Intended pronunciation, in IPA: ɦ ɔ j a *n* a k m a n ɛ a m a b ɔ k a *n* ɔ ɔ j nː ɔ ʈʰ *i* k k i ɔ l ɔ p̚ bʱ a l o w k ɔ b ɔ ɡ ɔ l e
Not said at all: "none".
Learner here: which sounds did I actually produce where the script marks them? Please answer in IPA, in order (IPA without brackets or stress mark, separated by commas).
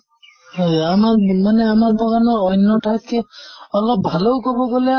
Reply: m, n, a